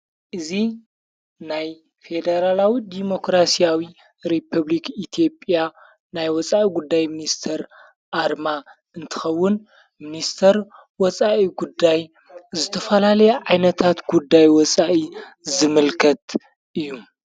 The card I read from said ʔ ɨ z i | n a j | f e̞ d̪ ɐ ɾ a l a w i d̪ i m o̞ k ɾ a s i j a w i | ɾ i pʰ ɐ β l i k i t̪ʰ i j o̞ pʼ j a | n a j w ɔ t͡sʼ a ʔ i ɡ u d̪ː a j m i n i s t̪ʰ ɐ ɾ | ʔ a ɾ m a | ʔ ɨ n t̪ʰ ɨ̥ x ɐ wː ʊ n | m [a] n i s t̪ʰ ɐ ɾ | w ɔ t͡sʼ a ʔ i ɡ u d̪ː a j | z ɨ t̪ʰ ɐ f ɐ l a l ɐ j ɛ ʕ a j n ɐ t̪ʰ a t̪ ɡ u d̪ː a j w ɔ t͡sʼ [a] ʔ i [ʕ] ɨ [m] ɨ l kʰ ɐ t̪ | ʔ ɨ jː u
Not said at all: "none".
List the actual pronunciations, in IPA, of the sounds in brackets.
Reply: i, a, z, m

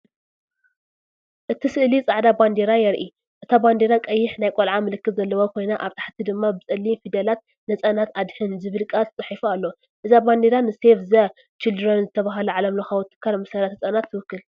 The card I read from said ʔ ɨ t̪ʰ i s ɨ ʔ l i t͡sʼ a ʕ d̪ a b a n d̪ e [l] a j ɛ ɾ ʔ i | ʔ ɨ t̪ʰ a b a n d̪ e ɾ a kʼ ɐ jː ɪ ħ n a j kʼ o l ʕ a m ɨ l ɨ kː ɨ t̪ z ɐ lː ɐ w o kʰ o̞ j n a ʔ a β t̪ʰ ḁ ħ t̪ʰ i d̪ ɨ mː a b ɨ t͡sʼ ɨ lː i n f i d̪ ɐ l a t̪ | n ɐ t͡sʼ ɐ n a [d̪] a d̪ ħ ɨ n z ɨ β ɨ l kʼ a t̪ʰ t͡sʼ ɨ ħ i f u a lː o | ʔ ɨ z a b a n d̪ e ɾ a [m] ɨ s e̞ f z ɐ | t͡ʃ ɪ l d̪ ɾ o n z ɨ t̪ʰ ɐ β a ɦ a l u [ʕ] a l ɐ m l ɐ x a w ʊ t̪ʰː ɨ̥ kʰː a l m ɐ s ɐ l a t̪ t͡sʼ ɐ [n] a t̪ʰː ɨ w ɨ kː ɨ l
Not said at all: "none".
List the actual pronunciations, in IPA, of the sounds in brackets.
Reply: ɾ, t̪, n, ʕ, n

